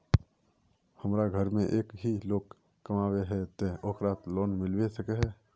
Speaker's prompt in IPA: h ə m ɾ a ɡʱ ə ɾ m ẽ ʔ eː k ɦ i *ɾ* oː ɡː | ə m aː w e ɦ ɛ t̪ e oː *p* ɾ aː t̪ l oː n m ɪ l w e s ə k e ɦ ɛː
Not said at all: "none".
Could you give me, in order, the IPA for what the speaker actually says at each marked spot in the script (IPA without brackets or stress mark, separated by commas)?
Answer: l, k